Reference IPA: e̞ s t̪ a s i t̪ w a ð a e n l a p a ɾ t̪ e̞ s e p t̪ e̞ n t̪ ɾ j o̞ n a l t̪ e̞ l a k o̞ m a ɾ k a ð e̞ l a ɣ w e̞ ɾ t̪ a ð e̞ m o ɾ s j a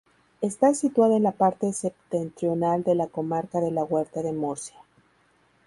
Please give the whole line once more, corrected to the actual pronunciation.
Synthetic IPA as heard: e̞ s t̪ a s i t̪ w a ð a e n l a p a ɾ t̪ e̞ s e p t̪ e̞ n t̪ ɾ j o̞ n a l d̪ e̞ l a k o̞ m a ɾ k a ð e̞ l a ɣ w e̞ ɾ t̪ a ð e̞ m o ɾ s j a